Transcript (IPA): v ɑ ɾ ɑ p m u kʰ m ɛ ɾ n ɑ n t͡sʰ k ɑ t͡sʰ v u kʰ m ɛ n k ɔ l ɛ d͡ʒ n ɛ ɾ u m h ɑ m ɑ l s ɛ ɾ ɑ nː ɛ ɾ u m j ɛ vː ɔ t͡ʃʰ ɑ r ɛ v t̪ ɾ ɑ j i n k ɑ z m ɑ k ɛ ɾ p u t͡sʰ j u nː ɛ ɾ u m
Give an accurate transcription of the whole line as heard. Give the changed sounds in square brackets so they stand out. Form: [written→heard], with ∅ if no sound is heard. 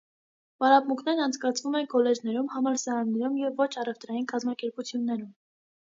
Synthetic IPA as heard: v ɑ ɾ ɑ p m u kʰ [m→n] ɛ ɾ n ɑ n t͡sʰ k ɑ t͡sʰ v u [kʰ→∅] m ɛ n k ɔ l ɛ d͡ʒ n ɛ ɾ u m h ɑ m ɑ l s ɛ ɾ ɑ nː ɛ ɾ u m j ɛ vː ɔ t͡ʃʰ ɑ r ɛ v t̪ ɾ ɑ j i n k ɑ z m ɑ k ɛ ɾ p u t͡sʰ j u nː ɛ ɾ u m